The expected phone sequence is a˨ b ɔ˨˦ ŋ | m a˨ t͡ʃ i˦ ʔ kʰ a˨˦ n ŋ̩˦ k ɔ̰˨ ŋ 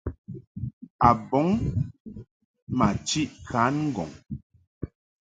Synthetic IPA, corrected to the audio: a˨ b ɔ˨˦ ŋ | m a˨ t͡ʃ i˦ ʔ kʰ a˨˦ n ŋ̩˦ ɡ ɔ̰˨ ŋ